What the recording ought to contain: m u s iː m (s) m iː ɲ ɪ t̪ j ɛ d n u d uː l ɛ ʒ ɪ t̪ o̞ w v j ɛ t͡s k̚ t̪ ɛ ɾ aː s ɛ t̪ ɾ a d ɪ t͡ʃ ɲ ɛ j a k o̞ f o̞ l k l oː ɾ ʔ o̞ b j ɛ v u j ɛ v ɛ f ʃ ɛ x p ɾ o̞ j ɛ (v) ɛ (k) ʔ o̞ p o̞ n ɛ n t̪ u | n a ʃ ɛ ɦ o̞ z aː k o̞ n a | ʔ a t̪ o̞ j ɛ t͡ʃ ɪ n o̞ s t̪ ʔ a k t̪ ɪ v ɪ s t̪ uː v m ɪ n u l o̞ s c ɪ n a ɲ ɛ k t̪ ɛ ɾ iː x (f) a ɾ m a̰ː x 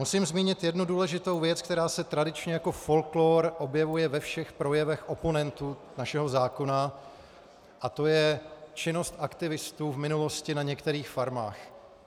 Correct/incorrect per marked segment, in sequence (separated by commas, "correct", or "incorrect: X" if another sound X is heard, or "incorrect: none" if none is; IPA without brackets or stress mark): incorrect: z, correct, incorrect: x, correct